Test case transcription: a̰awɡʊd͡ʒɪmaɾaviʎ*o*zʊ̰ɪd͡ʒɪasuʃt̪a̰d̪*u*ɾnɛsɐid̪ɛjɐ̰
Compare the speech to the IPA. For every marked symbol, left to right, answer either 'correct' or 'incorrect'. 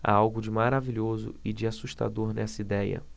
correct, incorrect: o

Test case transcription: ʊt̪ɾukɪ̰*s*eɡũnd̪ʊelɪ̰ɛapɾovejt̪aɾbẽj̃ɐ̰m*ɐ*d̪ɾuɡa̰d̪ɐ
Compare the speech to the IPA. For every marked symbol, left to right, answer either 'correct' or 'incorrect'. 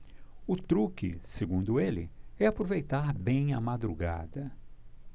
correct, incorrect: a

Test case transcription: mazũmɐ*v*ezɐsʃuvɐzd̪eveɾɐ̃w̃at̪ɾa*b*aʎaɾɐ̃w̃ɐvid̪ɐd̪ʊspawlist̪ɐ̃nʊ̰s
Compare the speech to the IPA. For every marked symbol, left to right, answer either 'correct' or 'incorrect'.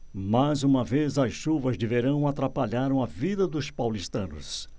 correct, incorrect: p

